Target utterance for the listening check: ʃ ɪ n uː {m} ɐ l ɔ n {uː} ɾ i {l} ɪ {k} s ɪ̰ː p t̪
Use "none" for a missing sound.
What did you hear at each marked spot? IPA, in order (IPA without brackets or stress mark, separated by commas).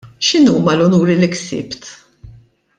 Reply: m, uː, l, k